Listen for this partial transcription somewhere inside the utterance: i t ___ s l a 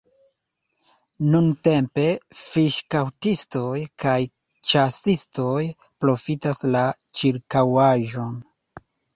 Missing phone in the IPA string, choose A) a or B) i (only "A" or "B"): A